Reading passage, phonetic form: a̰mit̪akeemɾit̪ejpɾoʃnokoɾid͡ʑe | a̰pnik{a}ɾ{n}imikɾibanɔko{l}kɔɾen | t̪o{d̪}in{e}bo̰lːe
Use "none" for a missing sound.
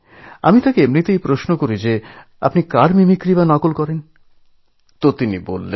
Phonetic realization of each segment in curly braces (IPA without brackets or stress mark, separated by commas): a, m, l, t̪, i